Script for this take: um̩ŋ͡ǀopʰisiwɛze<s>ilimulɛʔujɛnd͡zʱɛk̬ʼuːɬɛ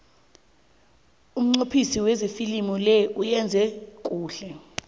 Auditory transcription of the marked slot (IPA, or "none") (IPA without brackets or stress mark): f